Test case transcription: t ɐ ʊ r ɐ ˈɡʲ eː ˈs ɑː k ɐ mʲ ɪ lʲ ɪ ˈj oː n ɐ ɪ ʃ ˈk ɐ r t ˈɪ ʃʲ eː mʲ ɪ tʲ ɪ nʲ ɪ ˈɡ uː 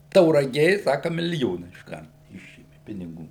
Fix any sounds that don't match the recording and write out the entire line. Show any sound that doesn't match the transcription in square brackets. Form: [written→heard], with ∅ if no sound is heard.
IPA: t ɐ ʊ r ɐ ˈɡʲ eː ˈs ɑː k ɐ mʲ ɪ lʲ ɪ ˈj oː n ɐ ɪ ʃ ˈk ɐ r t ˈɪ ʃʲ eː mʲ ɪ [tʲ→pʲ] ɪ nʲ ɪ ˈɡ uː